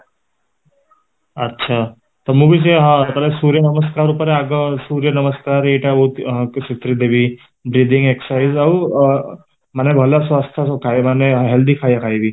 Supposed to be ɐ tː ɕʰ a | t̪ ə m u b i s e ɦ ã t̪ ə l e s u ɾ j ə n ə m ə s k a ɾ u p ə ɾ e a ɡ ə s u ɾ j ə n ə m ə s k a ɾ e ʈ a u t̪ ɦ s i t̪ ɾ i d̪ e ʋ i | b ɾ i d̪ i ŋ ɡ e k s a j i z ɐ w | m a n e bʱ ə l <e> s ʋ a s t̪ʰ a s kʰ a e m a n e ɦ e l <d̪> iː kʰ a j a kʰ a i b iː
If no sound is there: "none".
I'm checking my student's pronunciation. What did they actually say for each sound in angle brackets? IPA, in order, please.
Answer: a, d̪

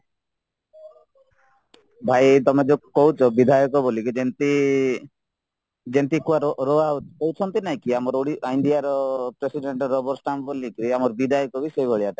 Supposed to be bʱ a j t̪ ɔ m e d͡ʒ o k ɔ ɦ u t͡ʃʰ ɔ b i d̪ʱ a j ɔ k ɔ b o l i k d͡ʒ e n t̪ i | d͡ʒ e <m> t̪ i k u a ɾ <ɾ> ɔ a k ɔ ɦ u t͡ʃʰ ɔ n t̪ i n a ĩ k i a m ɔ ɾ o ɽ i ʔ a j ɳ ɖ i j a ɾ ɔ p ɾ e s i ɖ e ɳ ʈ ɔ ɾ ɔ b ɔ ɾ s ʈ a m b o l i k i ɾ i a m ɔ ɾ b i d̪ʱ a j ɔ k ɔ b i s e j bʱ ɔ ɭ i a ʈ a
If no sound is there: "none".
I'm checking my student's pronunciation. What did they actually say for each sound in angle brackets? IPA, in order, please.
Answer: n, ɾ

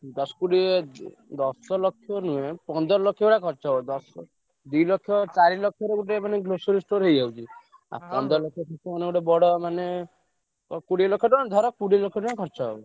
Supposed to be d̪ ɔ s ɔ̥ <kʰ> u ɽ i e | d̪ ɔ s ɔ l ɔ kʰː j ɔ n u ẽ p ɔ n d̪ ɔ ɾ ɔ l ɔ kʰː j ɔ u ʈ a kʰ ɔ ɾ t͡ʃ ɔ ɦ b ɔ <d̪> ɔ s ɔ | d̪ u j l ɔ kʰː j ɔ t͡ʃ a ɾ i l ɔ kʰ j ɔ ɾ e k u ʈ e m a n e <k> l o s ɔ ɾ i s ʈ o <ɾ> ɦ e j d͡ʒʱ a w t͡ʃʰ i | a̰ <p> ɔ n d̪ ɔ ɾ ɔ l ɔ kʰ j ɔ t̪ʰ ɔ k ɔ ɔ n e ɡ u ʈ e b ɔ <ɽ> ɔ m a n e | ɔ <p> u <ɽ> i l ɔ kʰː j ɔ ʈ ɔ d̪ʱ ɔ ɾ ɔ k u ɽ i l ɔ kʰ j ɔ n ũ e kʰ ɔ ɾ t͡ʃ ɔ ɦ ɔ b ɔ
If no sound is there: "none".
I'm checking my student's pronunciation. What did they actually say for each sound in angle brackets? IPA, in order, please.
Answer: k, d̪, ɡ, ɾ, p, ɽ, k, ɽ

